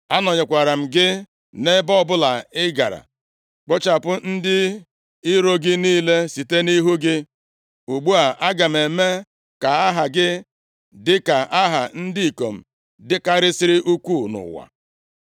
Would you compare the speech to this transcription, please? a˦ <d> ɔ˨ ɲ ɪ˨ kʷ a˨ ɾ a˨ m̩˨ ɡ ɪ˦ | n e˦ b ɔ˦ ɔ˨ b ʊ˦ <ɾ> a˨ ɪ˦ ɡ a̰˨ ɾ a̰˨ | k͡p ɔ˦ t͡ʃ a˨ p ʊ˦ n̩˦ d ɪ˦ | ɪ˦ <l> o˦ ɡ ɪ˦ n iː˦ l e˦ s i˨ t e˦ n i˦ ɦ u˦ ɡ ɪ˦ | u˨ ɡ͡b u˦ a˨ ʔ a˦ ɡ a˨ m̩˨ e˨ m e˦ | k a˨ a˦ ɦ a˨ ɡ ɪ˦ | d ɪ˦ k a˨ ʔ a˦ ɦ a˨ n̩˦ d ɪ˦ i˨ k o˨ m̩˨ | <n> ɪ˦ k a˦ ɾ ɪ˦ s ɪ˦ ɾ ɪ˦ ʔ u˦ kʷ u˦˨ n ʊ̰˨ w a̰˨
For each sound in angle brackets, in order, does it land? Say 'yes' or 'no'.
no, no, no, no

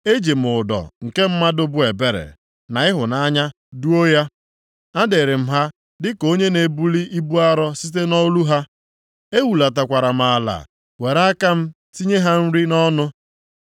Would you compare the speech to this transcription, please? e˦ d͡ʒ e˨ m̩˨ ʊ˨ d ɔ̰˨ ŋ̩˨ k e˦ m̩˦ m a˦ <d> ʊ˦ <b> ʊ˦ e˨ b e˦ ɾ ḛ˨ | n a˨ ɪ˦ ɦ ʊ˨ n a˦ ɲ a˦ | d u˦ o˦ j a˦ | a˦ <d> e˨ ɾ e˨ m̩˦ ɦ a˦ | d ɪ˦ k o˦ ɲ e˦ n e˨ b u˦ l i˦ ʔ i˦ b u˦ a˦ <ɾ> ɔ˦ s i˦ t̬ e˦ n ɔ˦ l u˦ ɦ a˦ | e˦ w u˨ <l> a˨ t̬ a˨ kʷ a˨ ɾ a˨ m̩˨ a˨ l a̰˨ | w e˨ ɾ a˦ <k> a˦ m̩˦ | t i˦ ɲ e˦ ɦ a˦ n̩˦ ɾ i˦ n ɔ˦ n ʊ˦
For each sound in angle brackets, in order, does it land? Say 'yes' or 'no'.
yes, yes, yes, yes, yes, yes

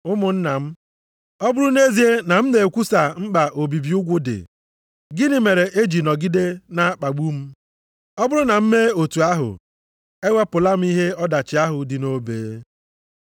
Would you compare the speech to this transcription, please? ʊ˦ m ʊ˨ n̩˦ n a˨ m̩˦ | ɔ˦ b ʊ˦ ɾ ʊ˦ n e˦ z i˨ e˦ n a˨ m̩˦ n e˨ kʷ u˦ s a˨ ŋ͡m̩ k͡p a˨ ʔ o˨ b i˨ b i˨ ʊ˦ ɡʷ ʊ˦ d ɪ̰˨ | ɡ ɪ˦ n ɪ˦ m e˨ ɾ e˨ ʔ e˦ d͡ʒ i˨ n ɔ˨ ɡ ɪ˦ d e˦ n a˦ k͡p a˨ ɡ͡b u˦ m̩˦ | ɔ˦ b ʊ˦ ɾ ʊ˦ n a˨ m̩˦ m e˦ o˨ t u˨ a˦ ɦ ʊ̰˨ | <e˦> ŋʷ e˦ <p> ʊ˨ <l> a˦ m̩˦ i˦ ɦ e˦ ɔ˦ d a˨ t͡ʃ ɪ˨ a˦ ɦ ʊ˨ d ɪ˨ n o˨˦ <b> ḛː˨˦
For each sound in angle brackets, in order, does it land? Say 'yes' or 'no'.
yes, yes, yes, yes

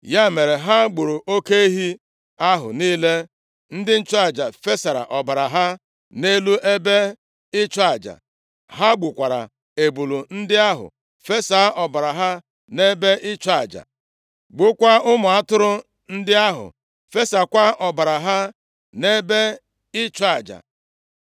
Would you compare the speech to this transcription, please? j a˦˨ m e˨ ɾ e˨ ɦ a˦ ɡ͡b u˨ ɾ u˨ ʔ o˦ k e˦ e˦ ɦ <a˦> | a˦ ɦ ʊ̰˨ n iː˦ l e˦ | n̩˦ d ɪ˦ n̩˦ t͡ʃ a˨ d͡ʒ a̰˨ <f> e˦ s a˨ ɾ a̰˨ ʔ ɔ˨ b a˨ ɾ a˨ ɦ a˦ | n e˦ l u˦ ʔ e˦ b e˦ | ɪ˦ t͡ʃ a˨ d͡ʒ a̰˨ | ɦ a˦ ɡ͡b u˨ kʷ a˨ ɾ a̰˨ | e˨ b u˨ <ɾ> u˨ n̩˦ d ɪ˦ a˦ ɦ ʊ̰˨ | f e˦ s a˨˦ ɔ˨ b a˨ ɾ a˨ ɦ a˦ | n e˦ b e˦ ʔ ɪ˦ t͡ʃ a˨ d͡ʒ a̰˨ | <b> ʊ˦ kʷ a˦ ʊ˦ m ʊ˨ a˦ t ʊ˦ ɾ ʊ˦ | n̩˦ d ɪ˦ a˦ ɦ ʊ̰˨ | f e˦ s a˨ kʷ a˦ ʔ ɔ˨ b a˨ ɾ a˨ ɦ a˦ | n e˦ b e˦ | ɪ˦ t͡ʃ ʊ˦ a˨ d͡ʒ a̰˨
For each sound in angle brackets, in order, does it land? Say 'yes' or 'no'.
no, yes, no, no

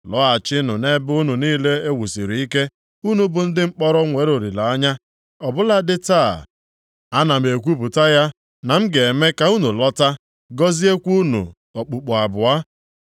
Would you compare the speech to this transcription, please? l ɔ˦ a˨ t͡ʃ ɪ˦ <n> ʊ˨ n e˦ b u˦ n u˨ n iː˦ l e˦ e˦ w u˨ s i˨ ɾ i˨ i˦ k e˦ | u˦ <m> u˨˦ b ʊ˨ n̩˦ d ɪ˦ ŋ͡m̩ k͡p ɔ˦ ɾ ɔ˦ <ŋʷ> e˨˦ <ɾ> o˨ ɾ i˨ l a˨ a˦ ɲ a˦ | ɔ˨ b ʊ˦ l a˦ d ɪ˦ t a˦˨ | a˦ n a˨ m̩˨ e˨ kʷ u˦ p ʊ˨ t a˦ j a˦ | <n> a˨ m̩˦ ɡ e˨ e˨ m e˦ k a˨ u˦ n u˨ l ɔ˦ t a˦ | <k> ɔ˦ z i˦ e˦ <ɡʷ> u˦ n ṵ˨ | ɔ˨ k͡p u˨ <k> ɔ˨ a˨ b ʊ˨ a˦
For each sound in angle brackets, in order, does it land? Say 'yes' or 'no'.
yes, no, yes, yes, yes, no, no, no

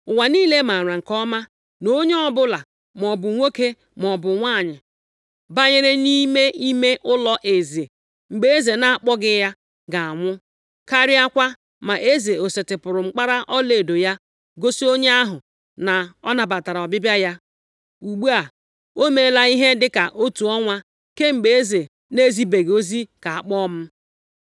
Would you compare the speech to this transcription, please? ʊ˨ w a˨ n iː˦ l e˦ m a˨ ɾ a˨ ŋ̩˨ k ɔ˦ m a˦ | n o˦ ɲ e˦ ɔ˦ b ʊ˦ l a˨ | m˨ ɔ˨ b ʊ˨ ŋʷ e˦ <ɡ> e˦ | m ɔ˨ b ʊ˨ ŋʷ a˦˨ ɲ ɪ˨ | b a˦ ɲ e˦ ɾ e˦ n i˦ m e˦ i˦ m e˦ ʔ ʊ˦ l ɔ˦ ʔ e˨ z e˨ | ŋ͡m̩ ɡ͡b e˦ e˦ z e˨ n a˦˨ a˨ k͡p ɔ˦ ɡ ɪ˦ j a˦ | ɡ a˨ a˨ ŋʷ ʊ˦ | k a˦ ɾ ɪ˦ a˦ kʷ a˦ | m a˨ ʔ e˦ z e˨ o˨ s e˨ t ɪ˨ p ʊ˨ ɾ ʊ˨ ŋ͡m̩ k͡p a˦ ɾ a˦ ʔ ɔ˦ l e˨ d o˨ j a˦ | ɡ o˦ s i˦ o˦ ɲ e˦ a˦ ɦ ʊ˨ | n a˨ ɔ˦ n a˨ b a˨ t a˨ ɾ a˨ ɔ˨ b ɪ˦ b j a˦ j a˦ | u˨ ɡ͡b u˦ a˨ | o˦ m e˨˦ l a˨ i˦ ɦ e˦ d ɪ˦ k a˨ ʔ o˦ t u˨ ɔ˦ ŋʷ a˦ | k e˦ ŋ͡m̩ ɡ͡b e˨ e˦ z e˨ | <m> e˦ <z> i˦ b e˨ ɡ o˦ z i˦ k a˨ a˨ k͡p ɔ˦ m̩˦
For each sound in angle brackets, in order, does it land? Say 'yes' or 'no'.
no, no, yes

